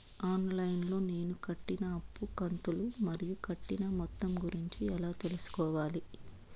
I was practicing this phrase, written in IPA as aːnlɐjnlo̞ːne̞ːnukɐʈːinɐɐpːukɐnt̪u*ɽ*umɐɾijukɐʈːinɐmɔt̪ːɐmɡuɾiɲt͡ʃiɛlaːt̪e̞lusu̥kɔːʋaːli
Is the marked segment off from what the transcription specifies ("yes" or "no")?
yes